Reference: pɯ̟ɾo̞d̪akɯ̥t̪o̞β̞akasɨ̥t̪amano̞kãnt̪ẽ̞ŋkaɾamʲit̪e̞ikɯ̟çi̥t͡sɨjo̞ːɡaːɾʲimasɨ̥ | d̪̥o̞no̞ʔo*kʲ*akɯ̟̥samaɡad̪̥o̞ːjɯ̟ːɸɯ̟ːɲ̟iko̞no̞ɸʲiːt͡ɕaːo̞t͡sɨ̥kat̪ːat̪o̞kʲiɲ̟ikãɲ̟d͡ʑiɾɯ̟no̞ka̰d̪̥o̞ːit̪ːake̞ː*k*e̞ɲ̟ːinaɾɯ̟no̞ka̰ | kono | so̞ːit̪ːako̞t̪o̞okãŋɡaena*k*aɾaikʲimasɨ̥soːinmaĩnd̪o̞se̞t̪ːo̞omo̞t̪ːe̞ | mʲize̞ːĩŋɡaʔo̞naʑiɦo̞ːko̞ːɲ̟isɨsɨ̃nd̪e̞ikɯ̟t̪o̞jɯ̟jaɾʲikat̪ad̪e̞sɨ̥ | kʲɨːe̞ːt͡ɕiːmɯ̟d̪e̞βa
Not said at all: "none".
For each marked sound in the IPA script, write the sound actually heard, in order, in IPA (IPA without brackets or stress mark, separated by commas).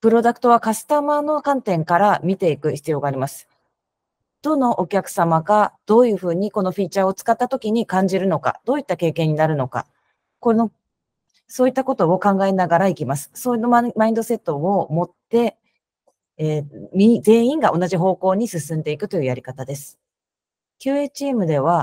kʲ, k, ɡ